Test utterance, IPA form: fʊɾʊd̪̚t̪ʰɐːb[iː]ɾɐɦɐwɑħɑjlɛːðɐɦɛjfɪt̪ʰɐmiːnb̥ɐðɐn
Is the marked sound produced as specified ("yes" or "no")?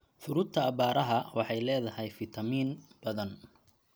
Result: no